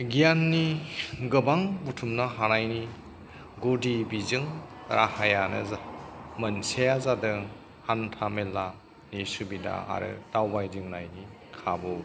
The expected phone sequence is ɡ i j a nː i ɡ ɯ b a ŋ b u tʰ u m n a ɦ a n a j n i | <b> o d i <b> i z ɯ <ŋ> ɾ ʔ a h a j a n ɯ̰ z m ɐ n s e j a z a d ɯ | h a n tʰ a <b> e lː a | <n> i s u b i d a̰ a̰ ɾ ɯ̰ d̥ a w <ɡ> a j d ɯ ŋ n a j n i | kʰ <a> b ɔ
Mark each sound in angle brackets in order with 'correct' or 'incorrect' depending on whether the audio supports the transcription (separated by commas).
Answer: incorrect, correct, correct, incorrect, correct, incorrect, correct